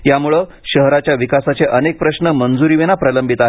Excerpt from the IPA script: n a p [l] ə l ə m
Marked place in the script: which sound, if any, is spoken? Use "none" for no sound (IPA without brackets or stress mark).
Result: ɾ